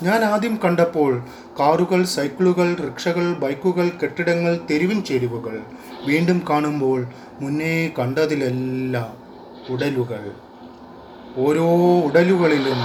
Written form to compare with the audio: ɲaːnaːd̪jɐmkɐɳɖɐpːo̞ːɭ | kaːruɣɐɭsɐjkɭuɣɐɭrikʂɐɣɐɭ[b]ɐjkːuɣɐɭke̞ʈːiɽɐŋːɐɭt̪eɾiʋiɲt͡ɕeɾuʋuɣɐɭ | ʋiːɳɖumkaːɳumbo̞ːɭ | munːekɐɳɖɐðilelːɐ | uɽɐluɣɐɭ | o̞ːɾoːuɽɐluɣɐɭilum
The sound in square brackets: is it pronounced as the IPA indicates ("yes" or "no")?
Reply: yes